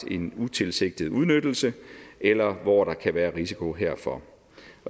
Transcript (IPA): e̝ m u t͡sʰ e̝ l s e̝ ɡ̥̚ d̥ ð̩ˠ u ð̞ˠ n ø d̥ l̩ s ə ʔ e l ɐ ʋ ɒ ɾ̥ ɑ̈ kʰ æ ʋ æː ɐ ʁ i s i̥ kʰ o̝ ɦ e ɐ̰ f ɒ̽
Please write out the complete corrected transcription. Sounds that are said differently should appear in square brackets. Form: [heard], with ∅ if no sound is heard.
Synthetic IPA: e̝ [n] u t͡sʰ e̝ l s e̝ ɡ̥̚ d̥ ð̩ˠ u ð̞ˠ n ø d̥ l̩ s ə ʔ e l ɐ ʋ ɒ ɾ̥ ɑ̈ kʰ æ ʋ æː ɐ ʁ i s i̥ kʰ o̝ ɦ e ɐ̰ f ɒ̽